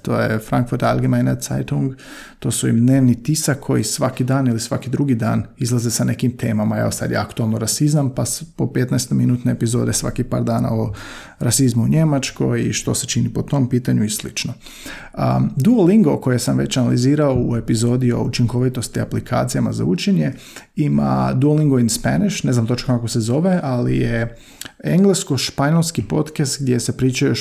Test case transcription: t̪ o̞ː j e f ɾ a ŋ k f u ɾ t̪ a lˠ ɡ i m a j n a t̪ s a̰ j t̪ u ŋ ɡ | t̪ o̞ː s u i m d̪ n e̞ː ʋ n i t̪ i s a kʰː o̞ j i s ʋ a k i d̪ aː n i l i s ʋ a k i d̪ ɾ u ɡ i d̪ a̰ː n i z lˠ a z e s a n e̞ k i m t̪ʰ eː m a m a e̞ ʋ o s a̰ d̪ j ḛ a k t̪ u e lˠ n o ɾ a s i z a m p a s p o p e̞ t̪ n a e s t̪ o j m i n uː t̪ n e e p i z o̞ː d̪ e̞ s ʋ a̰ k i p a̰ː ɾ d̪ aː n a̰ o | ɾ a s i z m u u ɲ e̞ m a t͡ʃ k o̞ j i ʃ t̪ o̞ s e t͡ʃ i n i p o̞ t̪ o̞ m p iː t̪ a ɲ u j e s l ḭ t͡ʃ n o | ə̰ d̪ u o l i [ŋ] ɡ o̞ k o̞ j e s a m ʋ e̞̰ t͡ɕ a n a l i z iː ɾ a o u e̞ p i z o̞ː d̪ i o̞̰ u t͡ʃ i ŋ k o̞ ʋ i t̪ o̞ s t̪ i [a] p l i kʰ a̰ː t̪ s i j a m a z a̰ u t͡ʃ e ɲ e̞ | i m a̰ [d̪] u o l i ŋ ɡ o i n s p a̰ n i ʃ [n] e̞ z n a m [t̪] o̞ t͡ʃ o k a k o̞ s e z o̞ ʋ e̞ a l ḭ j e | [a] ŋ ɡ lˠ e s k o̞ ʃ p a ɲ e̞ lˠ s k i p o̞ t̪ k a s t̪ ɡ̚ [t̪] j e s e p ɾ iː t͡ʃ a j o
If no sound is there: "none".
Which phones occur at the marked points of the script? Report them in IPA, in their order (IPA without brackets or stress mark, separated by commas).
ŋ, a, d̪, n, t̪, e, d̪